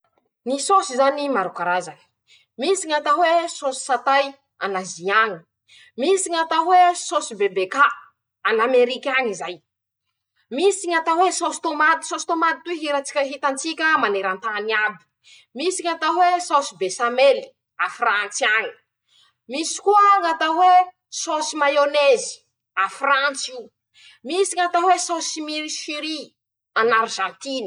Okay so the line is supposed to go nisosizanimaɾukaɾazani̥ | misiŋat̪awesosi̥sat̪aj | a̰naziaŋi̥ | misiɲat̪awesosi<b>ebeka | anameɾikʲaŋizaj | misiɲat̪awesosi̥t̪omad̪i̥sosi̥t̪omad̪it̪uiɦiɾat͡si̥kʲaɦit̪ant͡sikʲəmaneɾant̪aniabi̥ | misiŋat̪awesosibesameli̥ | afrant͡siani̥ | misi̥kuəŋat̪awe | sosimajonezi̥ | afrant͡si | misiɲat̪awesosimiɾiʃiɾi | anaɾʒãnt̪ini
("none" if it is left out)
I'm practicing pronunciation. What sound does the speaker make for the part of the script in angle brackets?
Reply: b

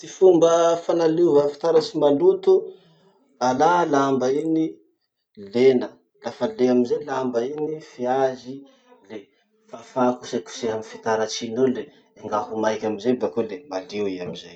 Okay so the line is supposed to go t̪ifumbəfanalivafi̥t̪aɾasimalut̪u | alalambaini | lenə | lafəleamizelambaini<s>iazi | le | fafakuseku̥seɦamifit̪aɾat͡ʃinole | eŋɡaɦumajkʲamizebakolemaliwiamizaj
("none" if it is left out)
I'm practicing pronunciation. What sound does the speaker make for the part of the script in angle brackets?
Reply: f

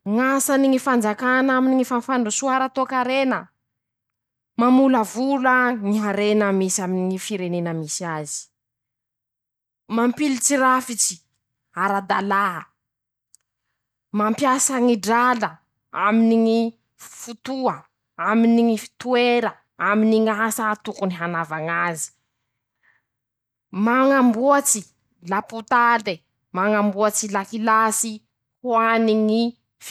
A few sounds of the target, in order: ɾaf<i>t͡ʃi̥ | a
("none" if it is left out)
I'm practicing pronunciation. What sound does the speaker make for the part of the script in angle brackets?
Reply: i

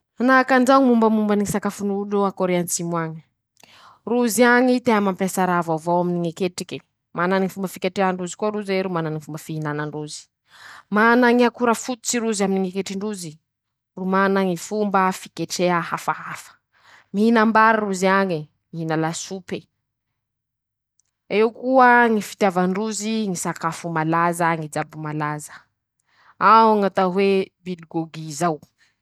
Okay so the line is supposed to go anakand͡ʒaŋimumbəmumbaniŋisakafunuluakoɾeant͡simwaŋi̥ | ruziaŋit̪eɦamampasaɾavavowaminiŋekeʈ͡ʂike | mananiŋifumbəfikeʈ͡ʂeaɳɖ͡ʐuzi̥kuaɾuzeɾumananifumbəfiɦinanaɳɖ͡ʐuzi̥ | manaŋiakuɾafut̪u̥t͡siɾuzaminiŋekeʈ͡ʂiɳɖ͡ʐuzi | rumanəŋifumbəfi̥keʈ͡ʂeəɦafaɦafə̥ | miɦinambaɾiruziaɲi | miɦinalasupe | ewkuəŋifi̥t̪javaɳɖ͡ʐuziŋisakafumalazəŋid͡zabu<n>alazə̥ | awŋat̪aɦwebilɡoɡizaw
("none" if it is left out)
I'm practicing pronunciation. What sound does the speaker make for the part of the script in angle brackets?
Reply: m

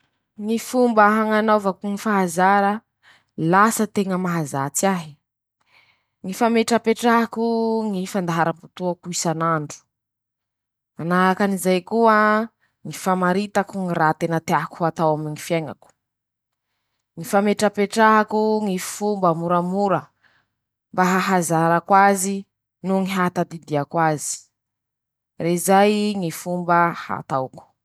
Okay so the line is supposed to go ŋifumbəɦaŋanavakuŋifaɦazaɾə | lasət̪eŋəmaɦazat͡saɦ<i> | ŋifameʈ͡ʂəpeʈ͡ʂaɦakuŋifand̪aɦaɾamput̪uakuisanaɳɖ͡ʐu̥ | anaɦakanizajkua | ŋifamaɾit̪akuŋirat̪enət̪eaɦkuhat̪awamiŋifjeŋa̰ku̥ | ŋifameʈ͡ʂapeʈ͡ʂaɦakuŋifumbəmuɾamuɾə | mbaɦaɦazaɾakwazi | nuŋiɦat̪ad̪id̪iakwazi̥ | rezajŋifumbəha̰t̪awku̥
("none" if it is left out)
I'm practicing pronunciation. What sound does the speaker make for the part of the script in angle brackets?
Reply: i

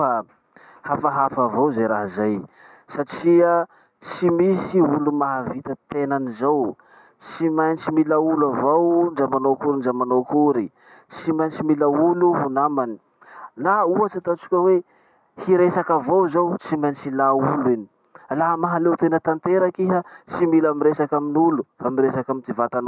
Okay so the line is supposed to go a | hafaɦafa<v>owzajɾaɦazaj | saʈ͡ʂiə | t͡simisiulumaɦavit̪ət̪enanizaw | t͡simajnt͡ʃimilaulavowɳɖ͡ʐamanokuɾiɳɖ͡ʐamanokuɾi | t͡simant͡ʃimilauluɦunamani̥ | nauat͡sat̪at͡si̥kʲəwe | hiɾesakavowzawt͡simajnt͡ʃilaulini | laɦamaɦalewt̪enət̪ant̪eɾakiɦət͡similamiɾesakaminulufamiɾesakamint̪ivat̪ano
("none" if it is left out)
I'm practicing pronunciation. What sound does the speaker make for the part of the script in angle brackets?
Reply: v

